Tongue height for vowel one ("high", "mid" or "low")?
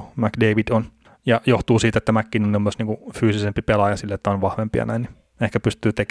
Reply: low